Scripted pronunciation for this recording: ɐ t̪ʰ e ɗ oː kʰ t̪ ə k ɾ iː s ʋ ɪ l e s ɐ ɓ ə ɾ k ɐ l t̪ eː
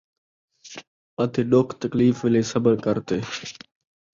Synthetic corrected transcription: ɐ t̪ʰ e ɗ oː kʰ t̪ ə k l iː f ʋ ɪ l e s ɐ b ə ɾ k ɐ ɾ t̪ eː